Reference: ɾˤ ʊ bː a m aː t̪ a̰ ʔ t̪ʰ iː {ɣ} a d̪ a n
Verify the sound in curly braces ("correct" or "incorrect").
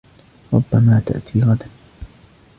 correct